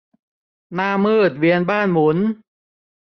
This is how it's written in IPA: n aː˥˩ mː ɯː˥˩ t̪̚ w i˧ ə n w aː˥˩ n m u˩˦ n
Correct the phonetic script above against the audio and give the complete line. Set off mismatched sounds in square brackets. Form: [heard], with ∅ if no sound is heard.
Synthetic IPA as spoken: n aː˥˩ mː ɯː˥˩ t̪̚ w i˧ ə n [b] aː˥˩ n m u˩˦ n